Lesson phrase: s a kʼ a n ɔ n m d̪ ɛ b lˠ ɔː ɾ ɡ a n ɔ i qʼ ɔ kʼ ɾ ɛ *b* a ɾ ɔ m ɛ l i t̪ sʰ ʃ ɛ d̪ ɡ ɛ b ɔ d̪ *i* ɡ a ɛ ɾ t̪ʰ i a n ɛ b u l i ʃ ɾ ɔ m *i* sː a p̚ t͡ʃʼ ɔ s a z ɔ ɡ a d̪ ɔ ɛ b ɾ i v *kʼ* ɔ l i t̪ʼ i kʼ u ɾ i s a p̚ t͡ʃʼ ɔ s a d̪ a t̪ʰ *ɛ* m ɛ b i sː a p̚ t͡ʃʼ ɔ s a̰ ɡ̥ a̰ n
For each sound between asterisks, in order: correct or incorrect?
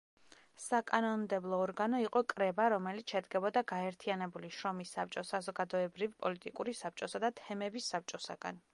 correct, incorrect: a, correct, incorrect: pʼ, correct

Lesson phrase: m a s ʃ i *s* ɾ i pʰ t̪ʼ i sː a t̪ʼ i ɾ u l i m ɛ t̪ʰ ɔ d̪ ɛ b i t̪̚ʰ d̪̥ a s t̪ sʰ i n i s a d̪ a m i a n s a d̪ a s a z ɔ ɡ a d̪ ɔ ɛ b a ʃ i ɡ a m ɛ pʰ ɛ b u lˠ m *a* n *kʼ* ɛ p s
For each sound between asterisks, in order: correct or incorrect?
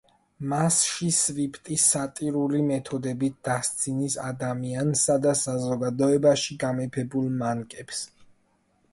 correct, correct, correct

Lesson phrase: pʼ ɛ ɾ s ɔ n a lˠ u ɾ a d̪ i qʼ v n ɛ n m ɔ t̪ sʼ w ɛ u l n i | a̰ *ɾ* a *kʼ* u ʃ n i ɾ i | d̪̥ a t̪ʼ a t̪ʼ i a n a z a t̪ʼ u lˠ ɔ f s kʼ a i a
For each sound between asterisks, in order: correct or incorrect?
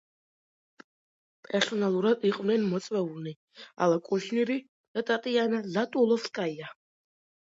incorrect: l, correct

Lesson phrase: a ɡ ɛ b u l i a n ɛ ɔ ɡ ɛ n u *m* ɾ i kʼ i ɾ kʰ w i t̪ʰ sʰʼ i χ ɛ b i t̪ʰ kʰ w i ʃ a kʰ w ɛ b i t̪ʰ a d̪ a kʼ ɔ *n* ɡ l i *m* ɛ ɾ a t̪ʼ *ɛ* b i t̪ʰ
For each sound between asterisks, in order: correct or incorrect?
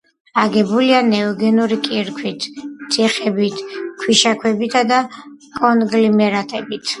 incorrect: none, correct, correct, correct

